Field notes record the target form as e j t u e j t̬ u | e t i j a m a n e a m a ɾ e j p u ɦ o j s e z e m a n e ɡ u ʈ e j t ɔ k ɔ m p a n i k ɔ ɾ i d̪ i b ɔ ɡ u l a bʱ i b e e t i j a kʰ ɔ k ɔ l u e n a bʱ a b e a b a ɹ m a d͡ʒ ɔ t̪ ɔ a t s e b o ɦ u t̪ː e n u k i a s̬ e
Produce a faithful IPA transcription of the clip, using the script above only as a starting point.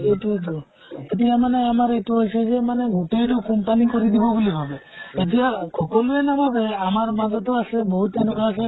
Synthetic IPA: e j t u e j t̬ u | e t i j a m a n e a m a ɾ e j t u ɦ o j s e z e m a n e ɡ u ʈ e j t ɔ k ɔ m p a n i k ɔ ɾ i d̪ i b ɔ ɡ u l i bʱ a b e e t i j a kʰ ɔ k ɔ l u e n a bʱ a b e a m a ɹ m a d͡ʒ ɔ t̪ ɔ a s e b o ɦ u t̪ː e n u k a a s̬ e